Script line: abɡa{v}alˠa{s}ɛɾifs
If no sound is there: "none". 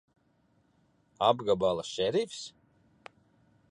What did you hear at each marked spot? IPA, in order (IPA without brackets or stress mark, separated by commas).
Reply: b, ʃ